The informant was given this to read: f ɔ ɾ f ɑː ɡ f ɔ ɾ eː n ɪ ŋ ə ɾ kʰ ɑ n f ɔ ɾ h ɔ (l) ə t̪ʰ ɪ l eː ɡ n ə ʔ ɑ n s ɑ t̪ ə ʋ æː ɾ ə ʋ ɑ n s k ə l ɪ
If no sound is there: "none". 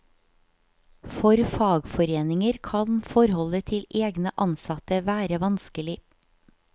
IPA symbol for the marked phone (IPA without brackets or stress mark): l